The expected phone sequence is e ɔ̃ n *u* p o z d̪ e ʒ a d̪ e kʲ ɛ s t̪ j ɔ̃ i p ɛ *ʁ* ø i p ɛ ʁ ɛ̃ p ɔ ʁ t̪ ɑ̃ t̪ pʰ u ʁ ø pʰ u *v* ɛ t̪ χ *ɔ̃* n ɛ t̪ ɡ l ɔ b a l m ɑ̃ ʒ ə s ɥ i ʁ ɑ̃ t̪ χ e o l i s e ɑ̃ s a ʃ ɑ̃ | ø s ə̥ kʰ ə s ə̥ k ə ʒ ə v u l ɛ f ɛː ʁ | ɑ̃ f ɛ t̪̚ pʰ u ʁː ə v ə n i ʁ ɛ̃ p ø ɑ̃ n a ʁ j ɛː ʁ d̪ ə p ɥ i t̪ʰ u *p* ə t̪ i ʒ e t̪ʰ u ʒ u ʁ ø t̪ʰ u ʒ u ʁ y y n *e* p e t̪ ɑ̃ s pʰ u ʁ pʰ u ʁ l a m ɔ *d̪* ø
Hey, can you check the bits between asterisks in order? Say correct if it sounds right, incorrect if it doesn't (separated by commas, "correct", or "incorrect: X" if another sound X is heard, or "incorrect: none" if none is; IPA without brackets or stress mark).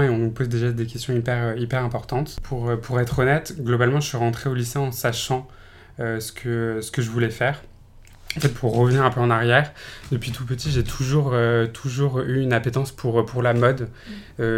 correct, correct, incorrect: ʁ, incorrect: ɔ, correct, incorrect: a, correct